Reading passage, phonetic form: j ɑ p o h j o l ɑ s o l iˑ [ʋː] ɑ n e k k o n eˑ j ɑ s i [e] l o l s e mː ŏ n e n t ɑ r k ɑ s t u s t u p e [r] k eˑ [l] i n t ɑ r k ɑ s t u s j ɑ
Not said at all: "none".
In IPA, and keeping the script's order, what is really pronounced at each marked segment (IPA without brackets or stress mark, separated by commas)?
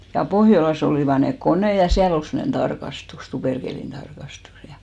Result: ʋ, æ, r, l